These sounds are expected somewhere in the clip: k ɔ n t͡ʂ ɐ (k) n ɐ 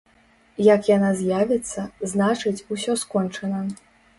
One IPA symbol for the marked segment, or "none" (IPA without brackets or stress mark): none